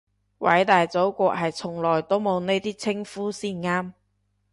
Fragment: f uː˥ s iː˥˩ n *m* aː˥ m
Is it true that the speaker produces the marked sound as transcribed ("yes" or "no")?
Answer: no